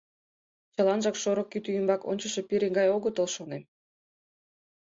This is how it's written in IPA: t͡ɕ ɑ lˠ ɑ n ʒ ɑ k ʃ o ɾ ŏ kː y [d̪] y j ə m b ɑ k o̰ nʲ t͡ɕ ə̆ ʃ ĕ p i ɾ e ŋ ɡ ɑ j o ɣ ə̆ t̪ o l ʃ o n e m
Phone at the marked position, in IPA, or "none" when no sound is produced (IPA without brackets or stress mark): t̪